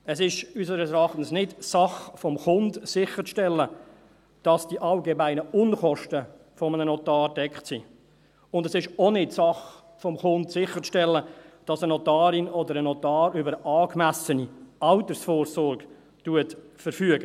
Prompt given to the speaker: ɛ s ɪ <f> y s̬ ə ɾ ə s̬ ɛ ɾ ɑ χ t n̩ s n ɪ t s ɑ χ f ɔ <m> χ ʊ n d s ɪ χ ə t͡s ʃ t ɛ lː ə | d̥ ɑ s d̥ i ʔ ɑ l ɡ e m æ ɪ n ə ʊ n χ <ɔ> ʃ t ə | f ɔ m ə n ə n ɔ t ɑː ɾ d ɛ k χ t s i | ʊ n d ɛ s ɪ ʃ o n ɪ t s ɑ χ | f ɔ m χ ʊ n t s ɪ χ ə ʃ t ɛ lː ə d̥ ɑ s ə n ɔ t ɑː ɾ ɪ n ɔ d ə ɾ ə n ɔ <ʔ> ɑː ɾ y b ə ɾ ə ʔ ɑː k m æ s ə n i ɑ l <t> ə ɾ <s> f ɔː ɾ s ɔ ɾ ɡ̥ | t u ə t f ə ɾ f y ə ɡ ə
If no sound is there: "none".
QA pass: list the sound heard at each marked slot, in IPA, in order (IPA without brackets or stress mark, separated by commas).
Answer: ʃ, m, ɔ, t, t, s